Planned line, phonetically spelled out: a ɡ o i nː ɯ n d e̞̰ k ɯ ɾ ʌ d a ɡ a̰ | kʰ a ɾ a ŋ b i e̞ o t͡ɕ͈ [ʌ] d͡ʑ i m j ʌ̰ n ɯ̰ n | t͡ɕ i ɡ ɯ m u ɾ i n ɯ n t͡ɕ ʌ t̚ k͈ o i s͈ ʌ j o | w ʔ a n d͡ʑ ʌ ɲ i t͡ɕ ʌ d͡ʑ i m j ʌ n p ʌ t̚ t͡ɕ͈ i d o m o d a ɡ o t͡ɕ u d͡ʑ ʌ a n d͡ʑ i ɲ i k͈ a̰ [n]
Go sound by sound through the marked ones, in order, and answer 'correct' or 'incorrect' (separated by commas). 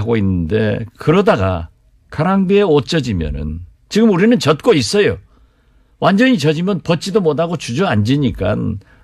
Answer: correct, correct